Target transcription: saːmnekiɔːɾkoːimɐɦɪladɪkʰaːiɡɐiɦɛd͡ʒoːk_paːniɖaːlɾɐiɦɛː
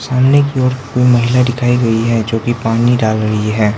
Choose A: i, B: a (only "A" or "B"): A